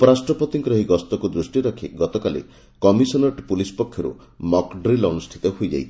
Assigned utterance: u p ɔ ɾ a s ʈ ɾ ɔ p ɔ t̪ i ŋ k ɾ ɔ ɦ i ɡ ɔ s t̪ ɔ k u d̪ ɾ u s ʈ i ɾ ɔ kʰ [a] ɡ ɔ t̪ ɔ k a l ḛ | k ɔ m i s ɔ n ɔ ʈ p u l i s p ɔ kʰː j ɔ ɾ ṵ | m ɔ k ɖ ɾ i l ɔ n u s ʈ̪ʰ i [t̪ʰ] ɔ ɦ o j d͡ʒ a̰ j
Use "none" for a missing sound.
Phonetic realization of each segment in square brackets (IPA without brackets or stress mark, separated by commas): i, t̪